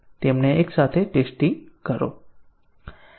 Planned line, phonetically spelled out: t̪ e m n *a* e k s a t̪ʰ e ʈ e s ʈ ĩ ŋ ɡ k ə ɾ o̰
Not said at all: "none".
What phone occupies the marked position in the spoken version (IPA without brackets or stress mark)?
e